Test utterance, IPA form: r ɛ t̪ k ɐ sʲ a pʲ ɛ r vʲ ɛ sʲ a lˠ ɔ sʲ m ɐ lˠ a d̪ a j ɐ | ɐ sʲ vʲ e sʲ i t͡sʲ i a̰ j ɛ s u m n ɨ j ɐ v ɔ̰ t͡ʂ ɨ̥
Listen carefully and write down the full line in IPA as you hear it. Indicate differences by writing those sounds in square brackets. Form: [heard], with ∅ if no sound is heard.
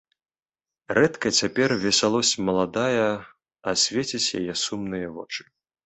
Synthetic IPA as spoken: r ɛ t̪ k ɐ [t͡sʲ] a pʲ ɛ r vʲ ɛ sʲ a lˠ ɔ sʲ m ɐ lˠ a d̪ a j ɐ | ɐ sʲ vʲ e [t͡sʲ] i t͡sʲ [j] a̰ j ɛ s u m n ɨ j ɐ v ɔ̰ t͡ʂ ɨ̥